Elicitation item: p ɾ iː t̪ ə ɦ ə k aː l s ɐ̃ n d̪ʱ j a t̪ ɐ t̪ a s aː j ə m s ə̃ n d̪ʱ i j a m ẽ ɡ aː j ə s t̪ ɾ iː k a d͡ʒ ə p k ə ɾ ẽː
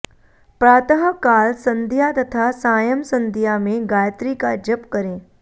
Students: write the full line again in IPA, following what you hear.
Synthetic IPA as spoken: p ɾ aː t̪ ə ɦ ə k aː l s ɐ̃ n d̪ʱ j a t̪ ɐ t̪ʰ a s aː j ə m s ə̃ n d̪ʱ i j a m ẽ ɡ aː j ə t̪ ɾ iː k a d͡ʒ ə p k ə ɾ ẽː